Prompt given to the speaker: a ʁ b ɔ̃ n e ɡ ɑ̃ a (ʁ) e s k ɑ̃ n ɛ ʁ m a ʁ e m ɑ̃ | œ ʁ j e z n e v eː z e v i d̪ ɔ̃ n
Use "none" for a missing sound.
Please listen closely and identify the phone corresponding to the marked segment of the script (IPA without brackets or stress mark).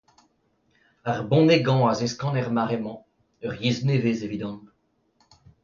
z